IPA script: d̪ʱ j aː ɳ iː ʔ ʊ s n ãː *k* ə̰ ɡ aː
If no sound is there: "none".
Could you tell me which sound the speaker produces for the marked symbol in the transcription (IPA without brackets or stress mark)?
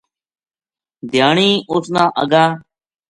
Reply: ʔ